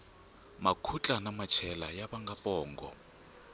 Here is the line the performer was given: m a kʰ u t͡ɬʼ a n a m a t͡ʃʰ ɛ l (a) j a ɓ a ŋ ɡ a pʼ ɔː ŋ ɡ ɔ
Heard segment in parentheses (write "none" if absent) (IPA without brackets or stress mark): a